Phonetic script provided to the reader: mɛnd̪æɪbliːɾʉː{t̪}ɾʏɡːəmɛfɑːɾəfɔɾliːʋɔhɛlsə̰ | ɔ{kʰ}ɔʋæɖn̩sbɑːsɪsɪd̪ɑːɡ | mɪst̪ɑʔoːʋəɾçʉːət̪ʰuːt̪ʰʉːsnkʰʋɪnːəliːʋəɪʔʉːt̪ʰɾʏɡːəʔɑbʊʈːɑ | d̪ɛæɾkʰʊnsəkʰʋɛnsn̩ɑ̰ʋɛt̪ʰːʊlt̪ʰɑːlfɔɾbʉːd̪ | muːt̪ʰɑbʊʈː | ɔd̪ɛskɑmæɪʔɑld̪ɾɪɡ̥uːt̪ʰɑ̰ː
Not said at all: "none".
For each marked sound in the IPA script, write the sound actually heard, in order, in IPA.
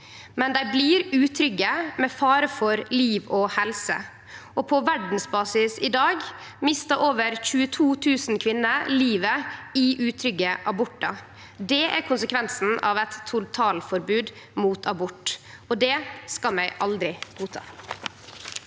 t̪ʰ, pʰ

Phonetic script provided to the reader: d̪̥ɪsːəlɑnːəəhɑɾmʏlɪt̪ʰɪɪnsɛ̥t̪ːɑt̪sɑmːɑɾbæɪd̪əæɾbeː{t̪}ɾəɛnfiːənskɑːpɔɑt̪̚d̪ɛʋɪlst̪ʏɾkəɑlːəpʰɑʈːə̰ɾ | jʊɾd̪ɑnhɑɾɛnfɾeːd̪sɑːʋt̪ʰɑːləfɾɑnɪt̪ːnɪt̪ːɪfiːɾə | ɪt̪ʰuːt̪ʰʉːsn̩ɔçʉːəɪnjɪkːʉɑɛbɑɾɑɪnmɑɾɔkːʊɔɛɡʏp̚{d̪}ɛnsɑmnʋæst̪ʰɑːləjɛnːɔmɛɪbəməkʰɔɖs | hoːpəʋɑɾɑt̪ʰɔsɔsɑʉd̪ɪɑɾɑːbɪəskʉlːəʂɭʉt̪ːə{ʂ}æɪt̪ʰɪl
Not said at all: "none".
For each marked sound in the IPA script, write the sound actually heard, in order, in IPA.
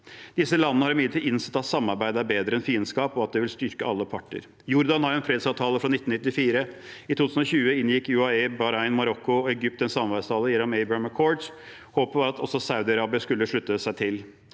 d̪, t̪, s

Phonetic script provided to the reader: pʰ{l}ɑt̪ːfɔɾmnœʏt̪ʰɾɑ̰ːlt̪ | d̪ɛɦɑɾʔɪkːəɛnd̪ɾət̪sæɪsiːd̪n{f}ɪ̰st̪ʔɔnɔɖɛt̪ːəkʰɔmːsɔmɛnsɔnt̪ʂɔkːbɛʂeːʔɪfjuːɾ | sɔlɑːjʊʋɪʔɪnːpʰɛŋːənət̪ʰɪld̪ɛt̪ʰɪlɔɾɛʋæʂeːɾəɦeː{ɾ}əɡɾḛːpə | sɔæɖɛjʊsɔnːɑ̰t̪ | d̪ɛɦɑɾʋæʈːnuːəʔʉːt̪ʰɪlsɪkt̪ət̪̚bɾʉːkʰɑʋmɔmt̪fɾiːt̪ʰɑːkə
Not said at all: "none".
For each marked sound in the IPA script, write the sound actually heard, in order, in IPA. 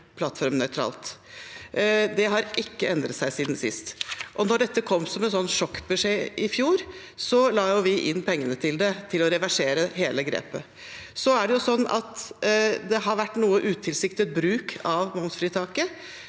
l, s, l

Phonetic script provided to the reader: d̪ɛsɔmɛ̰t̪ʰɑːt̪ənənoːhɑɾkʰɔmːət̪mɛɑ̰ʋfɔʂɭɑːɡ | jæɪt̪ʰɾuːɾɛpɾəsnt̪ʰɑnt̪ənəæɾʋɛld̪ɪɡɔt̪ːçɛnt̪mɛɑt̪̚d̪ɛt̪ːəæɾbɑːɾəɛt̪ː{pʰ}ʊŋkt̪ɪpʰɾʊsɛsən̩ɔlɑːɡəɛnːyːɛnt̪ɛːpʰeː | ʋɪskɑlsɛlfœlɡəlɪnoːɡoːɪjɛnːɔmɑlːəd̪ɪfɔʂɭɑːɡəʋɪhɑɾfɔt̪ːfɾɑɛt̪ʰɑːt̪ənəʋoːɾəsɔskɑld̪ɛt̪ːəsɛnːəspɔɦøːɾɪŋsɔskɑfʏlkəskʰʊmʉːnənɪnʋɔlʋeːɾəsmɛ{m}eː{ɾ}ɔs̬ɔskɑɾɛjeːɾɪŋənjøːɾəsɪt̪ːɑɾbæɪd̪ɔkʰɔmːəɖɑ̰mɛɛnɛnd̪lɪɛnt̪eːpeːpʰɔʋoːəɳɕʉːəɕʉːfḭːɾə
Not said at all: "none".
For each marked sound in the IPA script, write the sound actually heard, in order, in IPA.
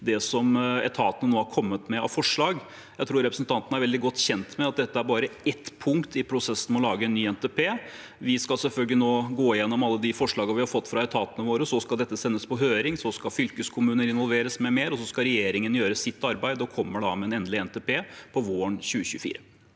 pʰ, m, ɾ

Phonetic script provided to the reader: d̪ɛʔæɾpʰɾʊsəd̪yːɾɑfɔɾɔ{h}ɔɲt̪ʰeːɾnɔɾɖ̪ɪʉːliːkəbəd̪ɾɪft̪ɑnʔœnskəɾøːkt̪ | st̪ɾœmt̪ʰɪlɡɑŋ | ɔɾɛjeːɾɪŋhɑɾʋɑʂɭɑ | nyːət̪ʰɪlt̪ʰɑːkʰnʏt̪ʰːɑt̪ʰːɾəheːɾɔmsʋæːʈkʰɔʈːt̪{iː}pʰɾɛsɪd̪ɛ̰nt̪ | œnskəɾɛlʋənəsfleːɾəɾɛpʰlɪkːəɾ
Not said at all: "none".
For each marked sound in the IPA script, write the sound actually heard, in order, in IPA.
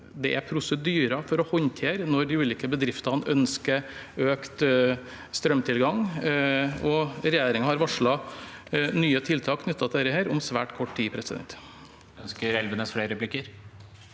h, iː

